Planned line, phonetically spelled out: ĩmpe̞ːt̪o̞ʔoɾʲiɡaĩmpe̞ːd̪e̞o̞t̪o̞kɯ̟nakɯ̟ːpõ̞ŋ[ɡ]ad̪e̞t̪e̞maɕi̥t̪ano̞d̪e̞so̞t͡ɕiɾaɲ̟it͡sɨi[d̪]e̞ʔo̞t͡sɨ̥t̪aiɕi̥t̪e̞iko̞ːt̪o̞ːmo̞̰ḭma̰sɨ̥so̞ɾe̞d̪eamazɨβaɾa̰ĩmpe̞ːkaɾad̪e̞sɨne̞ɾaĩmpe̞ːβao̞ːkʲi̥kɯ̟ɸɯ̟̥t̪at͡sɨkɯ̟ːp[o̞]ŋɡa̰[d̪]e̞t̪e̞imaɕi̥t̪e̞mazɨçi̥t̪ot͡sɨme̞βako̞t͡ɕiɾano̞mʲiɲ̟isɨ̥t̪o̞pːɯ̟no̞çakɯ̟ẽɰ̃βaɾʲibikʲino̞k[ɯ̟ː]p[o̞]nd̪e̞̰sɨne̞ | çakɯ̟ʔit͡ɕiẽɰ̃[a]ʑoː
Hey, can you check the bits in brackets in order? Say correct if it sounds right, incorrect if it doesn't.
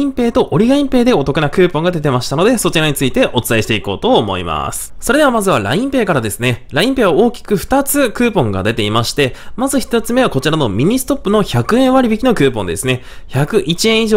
correct, incorrect: t̪, incorrect: õ̞, correct, correct, incorrect: õ̞, incorrect: i

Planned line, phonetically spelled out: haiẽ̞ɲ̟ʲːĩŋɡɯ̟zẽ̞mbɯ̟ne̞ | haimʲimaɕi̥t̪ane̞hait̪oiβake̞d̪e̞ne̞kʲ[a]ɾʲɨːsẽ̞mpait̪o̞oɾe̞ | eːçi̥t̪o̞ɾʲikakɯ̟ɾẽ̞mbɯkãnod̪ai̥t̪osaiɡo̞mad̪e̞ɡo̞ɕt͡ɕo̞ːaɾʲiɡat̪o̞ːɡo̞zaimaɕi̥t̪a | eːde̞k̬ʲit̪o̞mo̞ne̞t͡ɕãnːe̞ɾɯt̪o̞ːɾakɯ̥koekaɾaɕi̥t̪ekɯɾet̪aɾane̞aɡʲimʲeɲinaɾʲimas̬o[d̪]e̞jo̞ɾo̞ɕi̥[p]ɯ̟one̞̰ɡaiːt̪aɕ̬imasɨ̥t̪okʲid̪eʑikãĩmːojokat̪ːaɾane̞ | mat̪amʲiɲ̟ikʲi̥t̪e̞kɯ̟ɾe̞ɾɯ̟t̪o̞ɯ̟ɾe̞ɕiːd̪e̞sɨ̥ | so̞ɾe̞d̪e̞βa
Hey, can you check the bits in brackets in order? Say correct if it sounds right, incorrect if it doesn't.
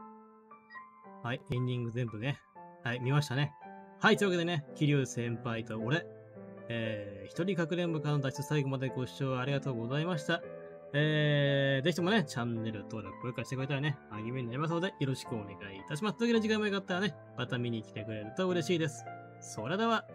incorrect: i, correct, incorrect: k

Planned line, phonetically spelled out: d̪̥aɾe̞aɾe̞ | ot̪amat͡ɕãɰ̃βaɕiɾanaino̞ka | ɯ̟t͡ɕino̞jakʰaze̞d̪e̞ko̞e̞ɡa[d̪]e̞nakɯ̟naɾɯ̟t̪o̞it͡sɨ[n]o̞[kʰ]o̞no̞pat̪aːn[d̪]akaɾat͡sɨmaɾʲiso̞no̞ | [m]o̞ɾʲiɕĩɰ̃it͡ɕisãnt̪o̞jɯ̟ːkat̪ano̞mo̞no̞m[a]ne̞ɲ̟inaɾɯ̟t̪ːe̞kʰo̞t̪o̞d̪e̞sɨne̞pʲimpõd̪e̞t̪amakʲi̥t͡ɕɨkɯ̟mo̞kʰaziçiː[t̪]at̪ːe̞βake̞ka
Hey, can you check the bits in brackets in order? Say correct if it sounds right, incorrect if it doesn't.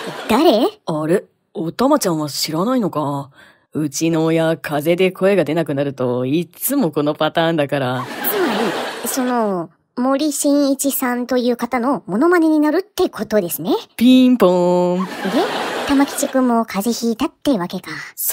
correct, incorrect: m, incorrect: k, correct, correct, correct, correct

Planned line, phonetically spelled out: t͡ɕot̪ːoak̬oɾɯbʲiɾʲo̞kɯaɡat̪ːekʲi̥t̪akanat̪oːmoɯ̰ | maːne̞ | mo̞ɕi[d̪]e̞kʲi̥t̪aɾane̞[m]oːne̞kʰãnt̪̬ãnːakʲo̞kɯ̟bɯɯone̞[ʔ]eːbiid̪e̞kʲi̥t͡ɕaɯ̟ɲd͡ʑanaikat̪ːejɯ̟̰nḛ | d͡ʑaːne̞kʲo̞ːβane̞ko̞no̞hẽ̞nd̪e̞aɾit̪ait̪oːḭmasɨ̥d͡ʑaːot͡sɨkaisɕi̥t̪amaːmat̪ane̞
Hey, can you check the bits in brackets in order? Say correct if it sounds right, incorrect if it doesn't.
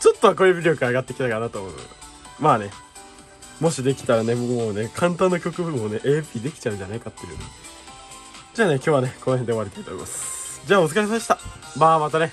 correct, correct, correct

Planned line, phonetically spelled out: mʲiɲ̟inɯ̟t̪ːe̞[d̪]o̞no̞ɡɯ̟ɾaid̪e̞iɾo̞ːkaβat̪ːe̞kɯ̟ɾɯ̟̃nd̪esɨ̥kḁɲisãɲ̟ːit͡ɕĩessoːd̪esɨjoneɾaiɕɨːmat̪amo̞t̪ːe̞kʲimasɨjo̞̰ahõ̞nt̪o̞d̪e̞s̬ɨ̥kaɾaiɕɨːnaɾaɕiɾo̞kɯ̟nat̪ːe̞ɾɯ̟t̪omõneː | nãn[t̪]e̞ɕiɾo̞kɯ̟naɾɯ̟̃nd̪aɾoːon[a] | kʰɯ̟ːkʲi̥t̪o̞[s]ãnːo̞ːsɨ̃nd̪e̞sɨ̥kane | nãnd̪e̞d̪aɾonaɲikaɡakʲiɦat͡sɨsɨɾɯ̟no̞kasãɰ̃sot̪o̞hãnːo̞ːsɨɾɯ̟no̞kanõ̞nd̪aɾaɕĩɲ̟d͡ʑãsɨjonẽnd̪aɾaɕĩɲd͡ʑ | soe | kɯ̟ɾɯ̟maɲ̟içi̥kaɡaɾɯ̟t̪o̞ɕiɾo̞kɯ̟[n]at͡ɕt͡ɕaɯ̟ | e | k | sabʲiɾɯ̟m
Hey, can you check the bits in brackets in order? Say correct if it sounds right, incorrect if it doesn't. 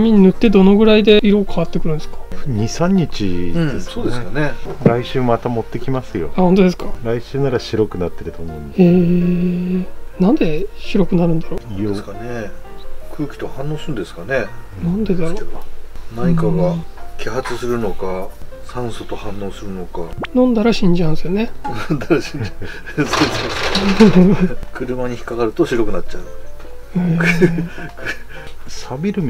correct, incorrect: d̪, incorrect: e, incorrect: h, correct

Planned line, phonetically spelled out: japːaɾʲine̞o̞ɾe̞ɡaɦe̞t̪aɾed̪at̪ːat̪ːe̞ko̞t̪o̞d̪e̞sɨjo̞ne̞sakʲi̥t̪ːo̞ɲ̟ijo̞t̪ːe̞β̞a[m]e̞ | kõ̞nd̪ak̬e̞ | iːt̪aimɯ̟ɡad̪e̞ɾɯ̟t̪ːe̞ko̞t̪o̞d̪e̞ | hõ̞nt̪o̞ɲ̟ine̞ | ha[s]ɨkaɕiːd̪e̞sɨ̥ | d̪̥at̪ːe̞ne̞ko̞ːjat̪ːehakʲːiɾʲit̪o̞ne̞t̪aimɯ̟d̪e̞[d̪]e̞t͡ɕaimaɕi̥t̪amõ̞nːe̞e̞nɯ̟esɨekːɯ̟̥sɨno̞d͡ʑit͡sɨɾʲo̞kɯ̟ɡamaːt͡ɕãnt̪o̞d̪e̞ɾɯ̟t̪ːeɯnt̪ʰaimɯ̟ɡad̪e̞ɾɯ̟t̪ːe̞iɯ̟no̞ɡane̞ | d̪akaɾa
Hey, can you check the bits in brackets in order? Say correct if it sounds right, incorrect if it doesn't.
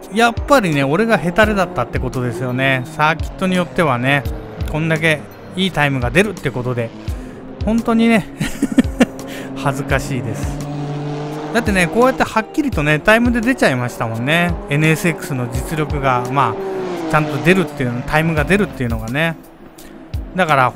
incorrect: n, incorrect: z, correct

